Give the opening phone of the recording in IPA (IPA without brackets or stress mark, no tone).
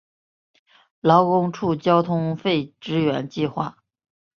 l